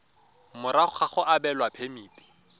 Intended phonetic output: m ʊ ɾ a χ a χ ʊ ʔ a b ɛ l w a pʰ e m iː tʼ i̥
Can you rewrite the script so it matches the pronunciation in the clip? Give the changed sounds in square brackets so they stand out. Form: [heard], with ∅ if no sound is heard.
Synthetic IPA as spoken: m ʊ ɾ a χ a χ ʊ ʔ a b ɛ l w a pʰ e m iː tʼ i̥